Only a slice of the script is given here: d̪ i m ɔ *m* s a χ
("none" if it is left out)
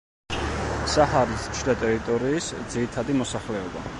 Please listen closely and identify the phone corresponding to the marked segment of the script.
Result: none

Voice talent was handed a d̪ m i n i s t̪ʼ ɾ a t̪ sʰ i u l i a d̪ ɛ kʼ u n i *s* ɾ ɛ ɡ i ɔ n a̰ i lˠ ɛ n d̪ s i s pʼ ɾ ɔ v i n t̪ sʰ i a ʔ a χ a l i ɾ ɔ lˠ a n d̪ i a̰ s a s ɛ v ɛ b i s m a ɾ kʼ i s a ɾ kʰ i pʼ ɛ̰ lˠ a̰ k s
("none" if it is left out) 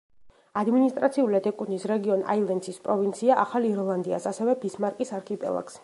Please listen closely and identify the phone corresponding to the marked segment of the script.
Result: s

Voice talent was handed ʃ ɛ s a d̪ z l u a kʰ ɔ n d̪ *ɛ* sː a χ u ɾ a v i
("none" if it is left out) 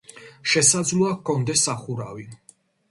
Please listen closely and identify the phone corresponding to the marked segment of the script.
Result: ɛ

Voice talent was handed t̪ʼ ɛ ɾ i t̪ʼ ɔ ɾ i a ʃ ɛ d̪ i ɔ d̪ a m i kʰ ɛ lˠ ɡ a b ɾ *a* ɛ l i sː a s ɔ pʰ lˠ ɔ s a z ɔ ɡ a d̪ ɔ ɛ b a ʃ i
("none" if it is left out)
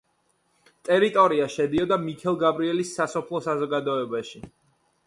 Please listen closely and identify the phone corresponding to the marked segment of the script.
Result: i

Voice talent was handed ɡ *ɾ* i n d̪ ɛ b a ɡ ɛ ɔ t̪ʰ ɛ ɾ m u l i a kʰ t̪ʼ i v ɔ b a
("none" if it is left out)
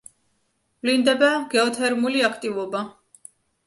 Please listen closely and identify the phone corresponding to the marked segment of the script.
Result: l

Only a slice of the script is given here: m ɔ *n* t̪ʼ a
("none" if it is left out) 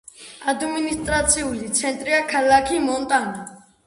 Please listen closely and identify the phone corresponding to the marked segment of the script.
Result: n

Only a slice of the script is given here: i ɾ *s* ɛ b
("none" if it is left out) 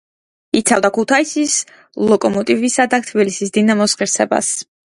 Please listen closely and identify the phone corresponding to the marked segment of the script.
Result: s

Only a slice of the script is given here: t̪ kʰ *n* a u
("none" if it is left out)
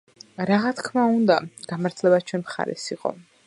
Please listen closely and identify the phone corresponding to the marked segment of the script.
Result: m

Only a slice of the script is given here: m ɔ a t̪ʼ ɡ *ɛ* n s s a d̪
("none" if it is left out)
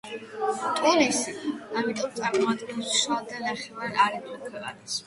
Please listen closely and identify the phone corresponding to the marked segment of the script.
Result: ɛ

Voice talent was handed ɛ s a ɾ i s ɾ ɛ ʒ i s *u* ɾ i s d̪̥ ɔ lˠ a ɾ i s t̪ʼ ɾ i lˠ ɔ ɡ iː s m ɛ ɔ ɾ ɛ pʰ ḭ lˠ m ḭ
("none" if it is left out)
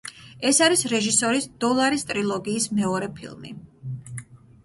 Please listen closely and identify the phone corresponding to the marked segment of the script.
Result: ɔ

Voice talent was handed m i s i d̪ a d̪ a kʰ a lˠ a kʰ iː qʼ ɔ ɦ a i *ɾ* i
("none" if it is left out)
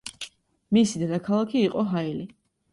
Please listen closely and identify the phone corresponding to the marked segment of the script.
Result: l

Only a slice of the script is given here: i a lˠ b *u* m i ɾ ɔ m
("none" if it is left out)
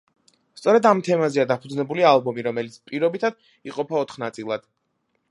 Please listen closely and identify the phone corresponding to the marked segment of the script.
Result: ɔ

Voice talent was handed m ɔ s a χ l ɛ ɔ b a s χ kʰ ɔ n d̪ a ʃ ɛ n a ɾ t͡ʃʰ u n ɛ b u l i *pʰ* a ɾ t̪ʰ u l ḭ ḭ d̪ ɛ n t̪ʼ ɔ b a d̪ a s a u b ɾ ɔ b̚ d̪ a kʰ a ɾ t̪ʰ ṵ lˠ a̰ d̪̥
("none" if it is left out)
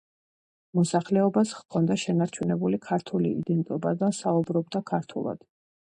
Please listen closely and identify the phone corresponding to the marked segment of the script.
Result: kʰ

